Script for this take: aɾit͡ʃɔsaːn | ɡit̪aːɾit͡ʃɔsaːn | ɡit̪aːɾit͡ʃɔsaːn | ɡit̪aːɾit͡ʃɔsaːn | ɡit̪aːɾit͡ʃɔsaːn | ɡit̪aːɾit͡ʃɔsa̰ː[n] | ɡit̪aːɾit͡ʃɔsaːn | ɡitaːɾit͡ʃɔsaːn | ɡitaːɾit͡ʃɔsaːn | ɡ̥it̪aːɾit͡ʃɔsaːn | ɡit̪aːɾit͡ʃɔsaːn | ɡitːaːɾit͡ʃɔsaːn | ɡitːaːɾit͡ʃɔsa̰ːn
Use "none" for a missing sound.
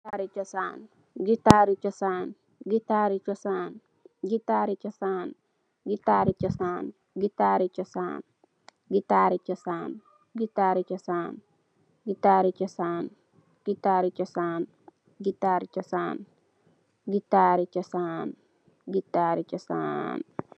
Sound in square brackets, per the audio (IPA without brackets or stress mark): n